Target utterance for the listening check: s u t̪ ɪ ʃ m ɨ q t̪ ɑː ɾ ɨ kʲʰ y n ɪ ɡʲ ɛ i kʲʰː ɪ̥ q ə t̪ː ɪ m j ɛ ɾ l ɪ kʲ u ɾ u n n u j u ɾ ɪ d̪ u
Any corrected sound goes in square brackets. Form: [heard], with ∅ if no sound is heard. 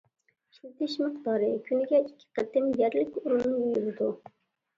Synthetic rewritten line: [ʃ] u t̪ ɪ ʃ m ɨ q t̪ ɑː ɾ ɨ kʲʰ y n ɪ ɡʲ ɛ i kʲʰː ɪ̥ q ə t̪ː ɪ m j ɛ ɾ l ɪ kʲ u ɾ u n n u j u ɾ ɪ d̪ u